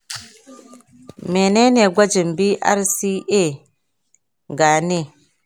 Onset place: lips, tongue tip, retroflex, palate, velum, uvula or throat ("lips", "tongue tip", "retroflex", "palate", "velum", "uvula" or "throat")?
lips